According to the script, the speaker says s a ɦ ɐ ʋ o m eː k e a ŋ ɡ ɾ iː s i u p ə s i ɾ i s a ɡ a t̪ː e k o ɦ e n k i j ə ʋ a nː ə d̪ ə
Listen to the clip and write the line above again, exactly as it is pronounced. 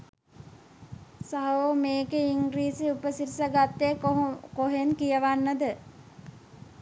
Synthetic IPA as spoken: s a ɦ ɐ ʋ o m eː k e i ŋ ɡ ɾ iː s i u p ə s i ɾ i s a ɡ a t̪ː e k o ɦ e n k i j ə ʋ a nː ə d̪ ə